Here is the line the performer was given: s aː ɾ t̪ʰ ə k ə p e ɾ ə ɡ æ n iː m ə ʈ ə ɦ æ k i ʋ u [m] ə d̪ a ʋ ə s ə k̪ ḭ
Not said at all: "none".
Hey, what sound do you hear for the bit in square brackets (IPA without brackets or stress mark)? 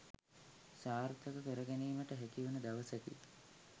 n